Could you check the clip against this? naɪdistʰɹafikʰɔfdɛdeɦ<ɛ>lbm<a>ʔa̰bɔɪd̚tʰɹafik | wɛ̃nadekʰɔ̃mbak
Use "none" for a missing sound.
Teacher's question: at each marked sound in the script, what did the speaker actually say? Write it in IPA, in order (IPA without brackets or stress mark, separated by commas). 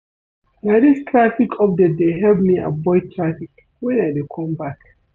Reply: ɛ, i